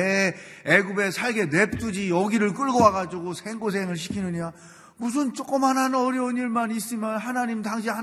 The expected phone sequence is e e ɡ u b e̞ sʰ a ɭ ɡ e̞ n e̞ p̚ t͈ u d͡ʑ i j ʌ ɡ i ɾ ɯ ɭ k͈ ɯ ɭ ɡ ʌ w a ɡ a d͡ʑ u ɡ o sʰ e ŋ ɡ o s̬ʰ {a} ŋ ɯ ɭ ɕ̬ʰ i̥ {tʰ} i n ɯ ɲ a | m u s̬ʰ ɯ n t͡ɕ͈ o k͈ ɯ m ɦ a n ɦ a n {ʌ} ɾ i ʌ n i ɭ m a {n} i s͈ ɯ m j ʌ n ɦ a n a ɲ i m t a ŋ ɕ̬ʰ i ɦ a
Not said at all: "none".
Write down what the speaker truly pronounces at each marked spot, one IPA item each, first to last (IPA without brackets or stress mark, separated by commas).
e, kʰ, ʌ, n